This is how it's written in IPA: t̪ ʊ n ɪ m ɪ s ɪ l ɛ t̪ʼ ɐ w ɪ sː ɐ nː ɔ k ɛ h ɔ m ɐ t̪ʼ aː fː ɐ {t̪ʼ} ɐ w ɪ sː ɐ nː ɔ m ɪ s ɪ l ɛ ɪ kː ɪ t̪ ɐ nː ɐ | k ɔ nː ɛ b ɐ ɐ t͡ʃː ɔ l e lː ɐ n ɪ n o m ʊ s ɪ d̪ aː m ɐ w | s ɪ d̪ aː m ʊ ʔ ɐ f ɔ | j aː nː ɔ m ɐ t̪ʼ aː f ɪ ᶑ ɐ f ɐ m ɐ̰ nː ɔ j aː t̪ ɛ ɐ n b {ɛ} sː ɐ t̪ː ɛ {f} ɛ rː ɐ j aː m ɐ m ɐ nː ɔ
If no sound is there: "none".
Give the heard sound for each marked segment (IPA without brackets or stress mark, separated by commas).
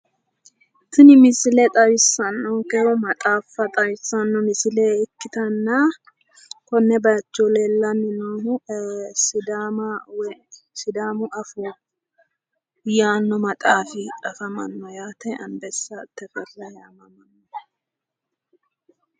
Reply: t̪ʼ, ɛ, f